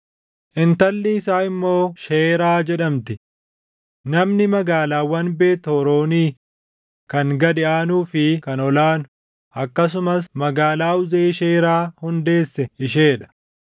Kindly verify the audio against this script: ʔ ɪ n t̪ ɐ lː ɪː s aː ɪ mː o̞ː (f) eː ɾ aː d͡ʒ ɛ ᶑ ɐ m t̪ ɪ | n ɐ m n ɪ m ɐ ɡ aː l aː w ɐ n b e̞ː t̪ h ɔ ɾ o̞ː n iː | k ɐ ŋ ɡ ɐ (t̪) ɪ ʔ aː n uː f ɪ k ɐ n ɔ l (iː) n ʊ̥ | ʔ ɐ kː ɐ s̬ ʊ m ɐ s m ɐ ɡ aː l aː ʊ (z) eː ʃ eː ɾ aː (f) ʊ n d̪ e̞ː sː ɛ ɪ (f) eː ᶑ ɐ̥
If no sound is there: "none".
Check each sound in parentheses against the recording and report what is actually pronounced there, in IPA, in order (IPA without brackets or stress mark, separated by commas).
ʃ, d̪, aː, z, h, ʃ